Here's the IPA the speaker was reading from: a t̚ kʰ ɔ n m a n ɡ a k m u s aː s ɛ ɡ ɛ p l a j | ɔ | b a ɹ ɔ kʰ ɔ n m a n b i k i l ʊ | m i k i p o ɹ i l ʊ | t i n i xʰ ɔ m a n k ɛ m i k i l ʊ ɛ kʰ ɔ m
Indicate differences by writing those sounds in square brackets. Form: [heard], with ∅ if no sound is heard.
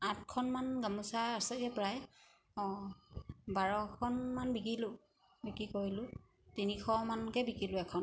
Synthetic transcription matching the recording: a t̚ kʰ ɔ n m a n ɡ a [∅] m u s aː s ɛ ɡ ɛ p [ɹ] a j | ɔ | b a ɹ ɔ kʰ ɔ n m a n b i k i l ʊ | [b] i k i [k] o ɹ i l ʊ | t i n i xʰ ɔ m a n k ɛ [b] i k i l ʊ ɛ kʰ ɔ [n]